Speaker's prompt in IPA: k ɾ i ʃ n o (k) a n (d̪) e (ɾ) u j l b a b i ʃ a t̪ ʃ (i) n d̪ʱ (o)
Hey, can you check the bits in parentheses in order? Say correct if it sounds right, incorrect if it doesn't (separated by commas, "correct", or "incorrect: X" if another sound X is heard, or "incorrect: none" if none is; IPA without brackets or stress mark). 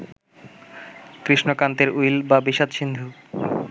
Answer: correct, incorrect: t̪, correct, correct, incorrect: u